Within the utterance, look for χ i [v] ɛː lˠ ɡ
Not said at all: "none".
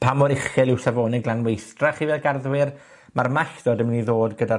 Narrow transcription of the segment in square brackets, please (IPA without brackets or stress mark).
v